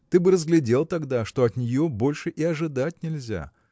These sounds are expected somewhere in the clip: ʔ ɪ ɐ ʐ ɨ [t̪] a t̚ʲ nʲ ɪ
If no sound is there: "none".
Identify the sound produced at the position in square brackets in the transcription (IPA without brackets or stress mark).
d̪